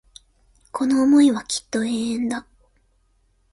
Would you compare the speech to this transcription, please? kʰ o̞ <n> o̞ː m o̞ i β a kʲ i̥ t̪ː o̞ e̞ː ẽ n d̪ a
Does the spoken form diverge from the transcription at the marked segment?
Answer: no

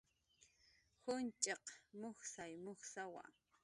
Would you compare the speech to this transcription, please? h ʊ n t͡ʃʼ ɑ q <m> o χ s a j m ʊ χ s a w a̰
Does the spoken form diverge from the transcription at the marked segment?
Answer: no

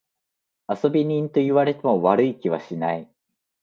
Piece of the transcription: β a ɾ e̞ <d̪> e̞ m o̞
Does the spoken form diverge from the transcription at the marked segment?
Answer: yes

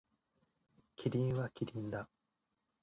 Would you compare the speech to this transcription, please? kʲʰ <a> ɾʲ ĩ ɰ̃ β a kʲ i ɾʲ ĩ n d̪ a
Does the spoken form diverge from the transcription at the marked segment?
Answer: yes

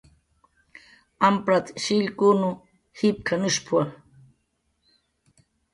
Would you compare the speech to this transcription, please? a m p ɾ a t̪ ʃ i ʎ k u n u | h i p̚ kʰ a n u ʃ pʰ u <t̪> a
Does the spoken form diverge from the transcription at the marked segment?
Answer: yes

